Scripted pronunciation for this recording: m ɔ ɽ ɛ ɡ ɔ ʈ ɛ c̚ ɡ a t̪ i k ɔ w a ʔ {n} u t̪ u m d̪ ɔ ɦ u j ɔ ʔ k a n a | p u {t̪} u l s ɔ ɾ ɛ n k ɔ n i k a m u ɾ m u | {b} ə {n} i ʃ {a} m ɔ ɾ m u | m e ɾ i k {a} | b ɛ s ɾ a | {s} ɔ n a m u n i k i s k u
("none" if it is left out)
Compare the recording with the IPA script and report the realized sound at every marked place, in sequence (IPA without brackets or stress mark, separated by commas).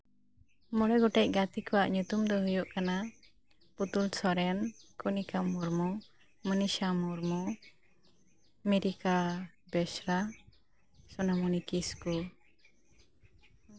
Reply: ɲ, t̪, m, n, a, a, s